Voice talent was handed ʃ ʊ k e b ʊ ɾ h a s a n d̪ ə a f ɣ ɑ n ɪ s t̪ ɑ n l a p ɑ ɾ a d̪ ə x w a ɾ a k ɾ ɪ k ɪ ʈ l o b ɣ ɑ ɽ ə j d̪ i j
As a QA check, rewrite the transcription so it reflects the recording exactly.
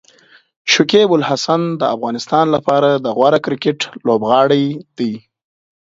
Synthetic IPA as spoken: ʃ ʊ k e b ʊ l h a s a n d̪ ə a f ɣ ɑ n ɪ s t̪ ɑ n l a p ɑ ɾ a d̪ ə ɣ w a ɾ a k ɾ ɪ k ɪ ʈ l o b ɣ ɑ ɽ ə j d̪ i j

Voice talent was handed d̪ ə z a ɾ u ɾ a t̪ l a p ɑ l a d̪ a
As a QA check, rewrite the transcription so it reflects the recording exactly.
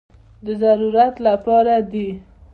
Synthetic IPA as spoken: d̪ ə z a ɾ u ɾ a t̪ l a p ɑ ɾ a d̪ i

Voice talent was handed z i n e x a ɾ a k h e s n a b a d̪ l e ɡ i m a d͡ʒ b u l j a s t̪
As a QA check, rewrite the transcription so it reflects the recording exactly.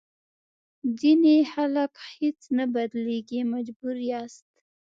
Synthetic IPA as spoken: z i n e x a l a k h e t͡s n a b a d̪ l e ɡ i m a d͡ʒ b u ɾ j a s t̪

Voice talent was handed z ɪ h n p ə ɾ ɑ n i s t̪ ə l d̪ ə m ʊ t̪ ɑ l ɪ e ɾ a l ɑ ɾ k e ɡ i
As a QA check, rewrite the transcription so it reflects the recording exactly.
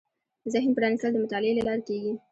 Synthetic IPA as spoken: z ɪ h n p ə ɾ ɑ n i s t̪ ə l d̪ ə m ʊ t̪ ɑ l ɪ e l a l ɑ ɾ k e ɡ i

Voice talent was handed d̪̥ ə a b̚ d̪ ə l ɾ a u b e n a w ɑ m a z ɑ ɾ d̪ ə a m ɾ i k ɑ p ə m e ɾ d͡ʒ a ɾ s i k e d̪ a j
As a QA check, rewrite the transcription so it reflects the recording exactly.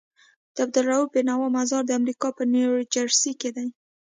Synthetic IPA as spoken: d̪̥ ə a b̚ d̪ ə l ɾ a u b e n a w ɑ m a z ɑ ɾ d̪ ə a m ɾ i k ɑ p ə n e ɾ d͡ʒ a ɾ s i k e d̪ a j

